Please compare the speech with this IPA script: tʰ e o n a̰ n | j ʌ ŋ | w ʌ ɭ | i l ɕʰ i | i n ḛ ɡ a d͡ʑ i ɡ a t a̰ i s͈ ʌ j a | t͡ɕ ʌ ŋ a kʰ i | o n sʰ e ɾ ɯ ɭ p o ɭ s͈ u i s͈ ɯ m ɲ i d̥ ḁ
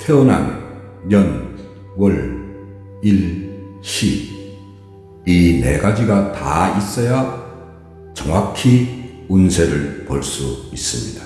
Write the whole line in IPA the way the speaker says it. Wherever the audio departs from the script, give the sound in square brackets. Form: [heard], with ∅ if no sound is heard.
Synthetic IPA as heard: tʰ e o n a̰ n | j ʌ [n] | w ʌ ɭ | i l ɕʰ i | i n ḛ ɡ a d͡ʑ i ɡ a t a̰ i s͈ ʌ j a | t͡ɕ ʌ ŋ a kʰ i | [u] n sʰ e ɾ ɯ ɭ p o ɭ s͈ u i s͈ ɯ m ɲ i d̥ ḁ